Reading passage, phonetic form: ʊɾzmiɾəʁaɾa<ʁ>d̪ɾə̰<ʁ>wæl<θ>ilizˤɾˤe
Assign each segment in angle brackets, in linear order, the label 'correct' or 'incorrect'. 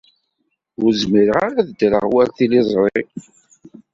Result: incorrect: ð, correct, correct

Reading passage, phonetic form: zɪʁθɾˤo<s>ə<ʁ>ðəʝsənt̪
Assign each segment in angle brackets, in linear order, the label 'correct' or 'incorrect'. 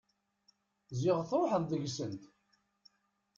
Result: incorrect: ħ, incorrect: ð

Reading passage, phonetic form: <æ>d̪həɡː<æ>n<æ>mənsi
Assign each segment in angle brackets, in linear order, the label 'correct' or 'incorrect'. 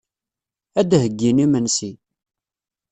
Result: correct, incorrect: i, incorrect: i

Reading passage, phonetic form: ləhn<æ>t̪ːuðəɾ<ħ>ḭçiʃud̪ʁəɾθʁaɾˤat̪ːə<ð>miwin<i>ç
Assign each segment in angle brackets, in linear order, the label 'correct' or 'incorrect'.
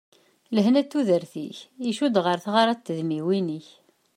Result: correct, incorrect: θ, correct, correct

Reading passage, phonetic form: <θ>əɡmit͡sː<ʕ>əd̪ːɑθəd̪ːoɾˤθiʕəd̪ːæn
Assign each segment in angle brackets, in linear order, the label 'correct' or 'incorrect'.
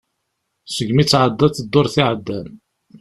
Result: incorrect: s, correct

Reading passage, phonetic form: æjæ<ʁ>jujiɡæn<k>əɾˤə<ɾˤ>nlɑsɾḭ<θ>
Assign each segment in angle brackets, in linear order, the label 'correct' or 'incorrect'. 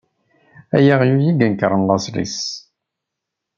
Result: correct, correct, incorrect: none, incorrect: s

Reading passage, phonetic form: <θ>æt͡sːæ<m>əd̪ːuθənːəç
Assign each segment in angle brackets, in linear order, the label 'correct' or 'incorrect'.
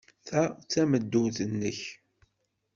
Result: correct, correct

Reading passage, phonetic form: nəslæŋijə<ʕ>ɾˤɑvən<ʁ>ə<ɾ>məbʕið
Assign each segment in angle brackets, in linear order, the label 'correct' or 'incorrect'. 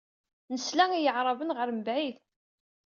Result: correct, correct, correct

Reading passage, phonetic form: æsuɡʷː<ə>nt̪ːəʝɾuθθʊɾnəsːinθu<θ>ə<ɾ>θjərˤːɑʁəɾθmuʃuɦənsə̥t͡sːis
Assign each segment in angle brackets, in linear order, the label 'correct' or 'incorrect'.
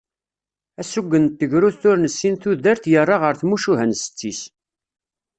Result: correct, incorrect: ð, correct

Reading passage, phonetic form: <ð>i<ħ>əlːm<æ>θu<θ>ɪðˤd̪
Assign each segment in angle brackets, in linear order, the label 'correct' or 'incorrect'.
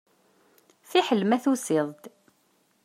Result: incorrect: θ, correct, correct, incorrect: s

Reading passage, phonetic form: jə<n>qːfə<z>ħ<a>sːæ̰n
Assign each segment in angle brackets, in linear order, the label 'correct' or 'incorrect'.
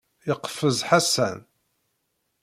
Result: incorrect: none, correct, correct

